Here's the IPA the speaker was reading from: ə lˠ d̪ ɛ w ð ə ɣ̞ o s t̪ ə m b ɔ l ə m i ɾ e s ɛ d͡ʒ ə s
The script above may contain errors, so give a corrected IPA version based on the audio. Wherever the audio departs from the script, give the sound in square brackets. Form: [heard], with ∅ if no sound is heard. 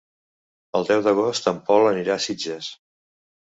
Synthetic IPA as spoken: ə lˠ d̪ ɛ w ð ə ɣ̞ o s t̪ ə m [p] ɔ l ə [n] i ɾ [a] s [i] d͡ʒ ə s